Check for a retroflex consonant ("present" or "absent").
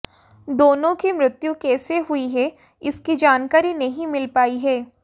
absent